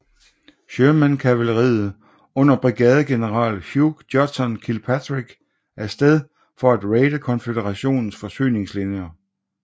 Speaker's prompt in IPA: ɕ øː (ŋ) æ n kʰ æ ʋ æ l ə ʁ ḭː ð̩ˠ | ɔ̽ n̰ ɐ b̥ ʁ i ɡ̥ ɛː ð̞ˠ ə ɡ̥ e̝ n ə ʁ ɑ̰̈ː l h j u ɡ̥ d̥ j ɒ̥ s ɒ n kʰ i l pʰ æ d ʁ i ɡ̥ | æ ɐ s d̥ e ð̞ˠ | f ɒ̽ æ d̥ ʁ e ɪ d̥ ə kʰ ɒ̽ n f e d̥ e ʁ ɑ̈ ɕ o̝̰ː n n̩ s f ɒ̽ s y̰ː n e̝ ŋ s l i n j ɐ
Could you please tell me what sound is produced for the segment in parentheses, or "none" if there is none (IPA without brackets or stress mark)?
m